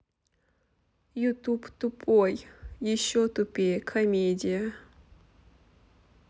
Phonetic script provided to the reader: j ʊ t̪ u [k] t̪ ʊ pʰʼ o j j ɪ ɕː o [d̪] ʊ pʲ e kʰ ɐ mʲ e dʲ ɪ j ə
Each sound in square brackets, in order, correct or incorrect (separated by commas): incorrect, incorrect